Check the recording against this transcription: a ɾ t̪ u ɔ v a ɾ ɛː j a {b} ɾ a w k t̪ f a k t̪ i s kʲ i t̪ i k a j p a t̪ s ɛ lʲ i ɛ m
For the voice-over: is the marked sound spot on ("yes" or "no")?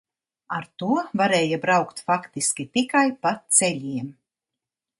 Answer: yes